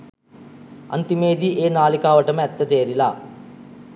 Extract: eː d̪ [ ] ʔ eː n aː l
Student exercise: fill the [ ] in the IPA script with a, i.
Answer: i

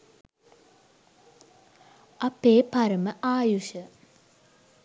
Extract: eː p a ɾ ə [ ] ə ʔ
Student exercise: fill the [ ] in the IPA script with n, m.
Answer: m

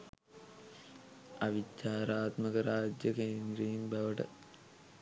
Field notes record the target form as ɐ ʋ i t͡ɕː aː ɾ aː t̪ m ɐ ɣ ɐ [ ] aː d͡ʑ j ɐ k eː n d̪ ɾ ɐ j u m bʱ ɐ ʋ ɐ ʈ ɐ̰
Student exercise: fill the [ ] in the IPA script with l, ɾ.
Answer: ɾ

